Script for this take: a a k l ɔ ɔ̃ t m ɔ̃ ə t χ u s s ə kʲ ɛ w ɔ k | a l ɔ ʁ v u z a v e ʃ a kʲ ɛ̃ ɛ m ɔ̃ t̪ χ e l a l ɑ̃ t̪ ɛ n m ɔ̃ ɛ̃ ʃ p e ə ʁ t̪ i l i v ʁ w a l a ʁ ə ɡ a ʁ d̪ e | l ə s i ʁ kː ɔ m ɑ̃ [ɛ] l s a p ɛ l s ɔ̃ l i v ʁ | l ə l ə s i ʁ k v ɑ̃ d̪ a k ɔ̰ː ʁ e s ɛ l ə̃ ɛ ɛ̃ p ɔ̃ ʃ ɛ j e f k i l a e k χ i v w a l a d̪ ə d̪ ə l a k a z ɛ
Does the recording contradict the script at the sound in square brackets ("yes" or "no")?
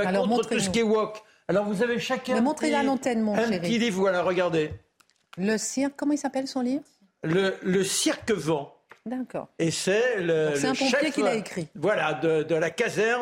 yes